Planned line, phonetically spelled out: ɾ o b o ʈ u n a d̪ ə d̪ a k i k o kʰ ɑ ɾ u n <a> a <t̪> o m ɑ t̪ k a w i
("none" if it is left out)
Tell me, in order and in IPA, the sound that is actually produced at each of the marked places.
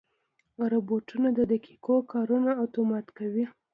a, t̪

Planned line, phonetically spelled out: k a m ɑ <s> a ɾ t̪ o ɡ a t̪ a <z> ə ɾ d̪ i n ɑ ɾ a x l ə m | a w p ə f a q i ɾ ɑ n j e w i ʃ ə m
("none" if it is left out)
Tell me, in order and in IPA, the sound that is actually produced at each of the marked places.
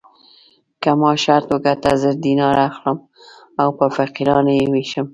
ʃ, z

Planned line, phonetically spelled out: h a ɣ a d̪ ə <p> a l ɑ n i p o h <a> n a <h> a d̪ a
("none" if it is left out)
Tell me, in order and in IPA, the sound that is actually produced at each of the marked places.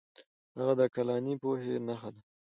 k, e, x

